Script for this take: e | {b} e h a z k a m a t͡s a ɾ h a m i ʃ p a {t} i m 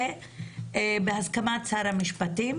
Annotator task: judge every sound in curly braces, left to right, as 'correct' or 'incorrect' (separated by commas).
correct, correct